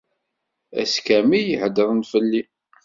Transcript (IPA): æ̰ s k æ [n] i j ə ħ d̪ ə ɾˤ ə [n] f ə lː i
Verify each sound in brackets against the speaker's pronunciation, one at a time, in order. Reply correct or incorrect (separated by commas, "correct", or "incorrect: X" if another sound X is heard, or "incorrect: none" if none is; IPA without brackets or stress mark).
incorrect: m, correct